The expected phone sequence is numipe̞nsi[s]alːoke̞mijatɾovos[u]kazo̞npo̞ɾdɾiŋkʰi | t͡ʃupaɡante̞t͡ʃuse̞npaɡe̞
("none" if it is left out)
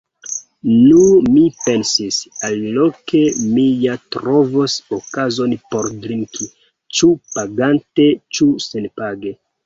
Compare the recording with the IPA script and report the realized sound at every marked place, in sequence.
s, o

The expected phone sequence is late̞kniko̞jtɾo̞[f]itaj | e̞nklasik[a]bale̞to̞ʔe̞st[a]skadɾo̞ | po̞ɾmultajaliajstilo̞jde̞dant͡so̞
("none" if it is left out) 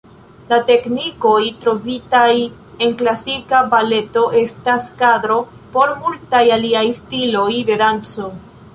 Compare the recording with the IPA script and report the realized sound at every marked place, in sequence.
v, a, a

